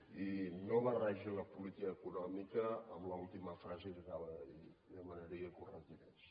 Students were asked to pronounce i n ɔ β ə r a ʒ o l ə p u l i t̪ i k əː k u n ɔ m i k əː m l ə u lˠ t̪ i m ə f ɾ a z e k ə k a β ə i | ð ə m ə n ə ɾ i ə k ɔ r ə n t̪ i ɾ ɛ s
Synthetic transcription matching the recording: i n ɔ β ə r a ʒ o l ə p u l i t̪ i k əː k u n ɔ m i k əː m l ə u lˠ t̪ i m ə f ɾ a z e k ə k a β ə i | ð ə m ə n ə ɾ i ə k u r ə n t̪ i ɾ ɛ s